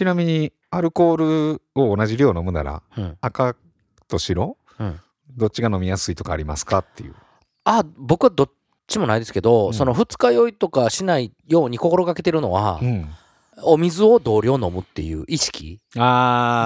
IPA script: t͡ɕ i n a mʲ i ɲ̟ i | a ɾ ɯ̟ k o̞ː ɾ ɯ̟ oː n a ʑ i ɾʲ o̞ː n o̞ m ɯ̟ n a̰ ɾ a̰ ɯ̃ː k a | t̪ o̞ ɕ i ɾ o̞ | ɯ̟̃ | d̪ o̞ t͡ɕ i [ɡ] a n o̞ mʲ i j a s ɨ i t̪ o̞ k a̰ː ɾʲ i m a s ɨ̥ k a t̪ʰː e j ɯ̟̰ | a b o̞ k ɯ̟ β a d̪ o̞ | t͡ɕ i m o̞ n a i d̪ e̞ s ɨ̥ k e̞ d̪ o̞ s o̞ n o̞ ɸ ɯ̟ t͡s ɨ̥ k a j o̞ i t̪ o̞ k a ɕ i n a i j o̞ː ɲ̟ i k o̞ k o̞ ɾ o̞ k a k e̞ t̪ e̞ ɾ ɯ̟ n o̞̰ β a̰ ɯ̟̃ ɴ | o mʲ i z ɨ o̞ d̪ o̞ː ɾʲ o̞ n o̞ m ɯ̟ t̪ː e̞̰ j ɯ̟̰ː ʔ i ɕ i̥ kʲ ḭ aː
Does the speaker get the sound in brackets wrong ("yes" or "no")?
no